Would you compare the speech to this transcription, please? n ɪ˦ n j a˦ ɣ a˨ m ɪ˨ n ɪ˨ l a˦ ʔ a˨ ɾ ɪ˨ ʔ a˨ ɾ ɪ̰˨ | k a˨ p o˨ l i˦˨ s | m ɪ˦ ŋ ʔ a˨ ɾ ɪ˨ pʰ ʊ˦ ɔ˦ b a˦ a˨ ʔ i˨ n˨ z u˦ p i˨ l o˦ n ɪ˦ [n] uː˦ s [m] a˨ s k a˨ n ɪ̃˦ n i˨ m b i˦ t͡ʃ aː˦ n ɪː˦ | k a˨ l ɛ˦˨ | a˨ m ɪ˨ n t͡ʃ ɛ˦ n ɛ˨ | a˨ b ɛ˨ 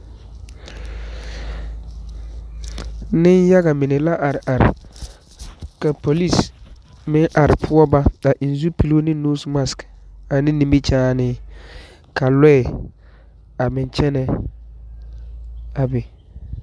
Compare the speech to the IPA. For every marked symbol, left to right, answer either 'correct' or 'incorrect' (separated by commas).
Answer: correct, correct